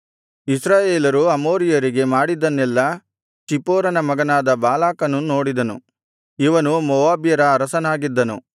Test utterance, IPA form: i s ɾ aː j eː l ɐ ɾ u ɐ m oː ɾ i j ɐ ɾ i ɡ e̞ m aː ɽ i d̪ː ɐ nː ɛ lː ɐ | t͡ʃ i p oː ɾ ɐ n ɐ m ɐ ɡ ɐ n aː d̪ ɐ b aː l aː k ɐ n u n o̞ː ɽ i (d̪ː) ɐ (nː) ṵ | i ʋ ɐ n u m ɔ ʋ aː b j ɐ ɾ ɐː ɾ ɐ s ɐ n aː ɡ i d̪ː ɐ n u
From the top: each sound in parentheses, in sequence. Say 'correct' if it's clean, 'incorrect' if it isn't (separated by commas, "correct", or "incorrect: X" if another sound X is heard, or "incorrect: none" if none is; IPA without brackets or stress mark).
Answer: incorrect: d̪, incorrect: n